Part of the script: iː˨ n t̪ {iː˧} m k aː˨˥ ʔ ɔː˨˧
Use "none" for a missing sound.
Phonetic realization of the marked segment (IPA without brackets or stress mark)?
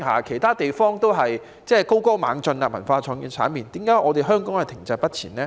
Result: iː˨˥